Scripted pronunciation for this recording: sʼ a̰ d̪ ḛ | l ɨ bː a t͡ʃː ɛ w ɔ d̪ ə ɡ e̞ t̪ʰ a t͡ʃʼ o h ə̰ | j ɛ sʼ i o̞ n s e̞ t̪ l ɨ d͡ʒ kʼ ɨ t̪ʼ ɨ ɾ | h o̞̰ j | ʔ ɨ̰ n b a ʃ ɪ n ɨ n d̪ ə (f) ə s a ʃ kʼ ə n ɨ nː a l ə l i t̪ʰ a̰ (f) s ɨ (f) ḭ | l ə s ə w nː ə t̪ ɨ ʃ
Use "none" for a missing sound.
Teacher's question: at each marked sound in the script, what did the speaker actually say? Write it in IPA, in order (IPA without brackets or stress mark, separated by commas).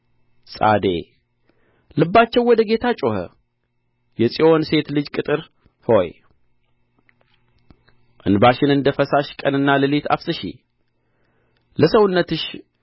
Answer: f, f, ʃ